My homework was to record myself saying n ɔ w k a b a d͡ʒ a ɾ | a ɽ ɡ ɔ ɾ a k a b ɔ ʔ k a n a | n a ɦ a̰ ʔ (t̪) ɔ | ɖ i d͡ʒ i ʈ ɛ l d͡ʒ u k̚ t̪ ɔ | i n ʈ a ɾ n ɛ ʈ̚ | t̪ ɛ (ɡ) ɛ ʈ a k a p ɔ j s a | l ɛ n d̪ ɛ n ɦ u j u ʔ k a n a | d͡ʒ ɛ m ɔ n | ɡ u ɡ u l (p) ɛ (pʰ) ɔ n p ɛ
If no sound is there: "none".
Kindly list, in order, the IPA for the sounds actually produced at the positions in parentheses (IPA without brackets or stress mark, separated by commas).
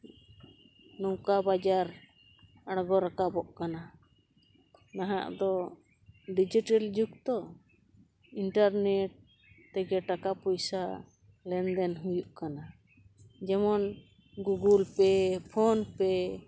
d̪, ɡ, p, pʰ